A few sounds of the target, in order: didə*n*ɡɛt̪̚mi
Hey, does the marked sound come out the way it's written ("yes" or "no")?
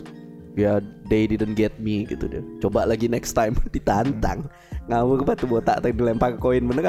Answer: yes